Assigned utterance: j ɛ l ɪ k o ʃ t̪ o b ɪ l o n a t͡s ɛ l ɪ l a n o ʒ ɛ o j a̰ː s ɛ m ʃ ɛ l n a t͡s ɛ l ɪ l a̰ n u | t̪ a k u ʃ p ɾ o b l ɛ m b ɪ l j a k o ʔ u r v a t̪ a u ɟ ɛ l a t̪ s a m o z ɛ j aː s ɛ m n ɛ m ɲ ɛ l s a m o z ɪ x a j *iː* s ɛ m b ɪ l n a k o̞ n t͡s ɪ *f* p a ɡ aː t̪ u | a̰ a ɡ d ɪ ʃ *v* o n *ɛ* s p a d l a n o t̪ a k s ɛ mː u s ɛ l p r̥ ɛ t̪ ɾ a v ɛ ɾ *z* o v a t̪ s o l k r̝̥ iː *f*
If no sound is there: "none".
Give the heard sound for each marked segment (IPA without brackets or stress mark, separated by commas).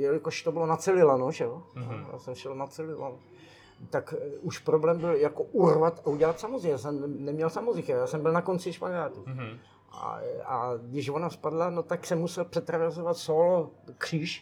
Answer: aː, ʃ, v, a, z, ʃ